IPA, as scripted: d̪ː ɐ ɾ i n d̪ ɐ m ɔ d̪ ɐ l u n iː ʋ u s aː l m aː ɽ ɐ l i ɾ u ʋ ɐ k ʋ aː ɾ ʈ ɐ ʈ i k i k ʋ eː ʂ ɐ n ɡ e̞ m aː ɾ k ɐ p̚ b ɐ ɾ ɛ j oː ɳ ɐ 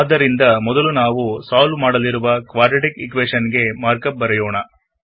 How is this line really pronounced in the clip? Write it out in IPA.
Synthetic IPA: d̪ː ɐ ɾ i n d̪ ɐ m ɔ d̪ ɐ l u n aː ʋ u s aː l m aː ɽ ɐ l i ɾ u ʋ ɐ k ʋ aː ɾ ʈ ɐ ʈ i k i k ʋ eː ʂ ɐ n ɡ e̞ m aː ɾ k ɐ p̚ b ɐ ɾ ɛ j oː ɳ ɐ